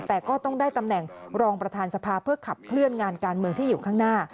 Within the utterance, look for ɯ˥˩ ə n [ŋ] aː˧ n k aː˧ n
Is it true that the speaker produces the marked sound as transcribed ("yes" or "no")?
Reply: yes